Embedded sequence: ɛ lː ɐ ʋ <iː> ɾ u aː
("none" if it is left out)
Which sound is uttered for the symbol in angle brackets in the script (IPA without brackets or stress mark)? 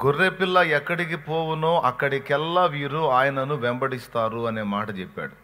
iː